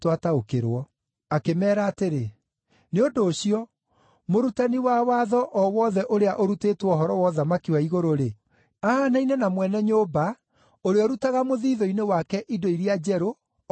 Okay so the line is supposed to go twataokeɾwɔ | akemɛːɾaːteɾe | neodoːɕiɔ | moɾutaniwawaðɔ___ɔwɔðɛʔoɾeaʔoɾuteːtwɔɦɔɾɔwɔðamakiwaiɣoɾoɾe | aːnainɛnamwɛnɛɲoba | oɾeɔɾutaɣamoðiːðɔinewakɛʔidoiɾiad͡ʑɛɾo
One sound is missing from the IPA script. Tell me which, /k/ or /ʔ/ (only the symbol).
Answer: ʔ